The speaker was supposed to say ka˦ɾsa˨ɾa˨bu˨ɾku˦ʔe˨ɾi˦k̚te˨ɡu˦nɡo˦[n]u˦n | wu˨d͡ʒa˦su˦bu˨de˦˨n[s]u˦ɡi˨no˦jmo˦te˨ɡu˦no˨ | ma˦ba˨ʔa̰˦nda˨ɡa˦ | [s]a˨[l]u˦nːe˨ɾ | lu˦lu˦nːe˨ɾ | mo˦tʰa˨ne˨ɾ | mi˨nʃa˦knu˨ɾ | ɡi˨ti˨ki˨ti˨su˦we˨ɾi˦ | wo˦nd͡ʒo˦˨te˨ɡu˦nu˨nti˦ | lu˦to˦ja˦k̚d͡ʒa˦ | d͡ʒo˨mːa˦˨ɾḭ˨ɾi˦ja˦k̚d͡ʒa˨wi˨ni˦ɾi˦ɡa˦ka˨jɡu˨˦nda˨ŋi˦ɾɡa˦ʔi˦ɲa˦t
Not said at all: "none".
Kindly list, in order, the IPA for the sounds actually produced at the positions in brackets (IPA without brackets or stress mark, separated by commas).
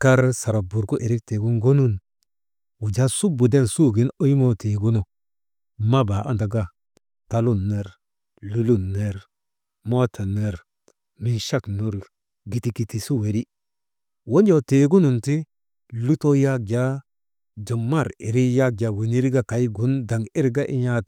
n, s, t, l